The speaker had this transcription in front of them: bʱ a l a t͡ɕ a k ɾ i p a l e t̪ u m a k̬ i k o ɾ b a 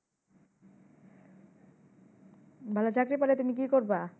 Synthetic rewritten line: bʱ a l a t͡ɕ a k ɾ i p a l e t̪ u m i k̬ i k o ɾ b a